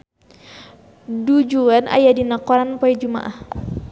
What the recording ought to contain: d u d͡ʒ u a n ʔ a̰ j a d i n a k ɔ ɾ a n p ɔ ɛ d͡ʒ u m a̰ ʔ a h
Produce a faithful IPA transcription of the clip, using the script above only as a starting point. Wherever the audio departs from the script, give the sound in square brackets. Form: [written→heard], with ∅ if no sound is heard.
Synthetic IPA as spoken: d u d͡ʒ u a n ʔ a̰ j a d i n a k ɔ ɾ a n p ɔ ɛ d͡ʒ u m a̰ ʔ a h